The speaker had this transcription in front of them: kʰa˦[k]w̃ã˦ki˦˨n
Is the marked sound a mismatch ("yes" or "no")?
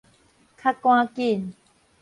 no